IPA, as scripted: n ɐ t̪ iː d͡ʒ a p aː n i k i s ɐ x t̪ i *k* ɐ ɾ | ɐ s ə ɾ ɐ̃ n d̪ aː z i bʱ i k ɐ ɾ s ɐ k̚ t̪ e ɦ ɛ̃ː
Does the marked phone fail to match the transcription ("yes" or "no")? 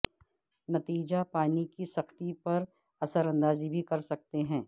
yes